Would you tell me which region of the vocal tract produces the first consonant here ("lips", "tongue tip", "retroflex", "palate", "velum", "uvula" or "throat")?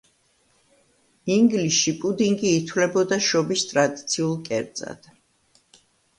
velum